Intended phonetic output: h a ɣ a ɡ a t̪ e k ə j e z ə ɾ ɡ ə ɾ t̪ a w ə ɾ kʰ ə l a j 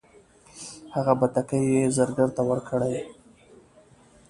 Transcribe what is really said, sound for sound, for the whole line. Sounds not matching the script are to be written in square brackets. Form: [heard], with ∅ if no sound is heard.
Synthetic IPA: h a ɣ a [b] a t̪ [a] k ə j e z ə ɾ ɡ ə ɾ t̪ a w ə ɾ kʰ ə [ɽ] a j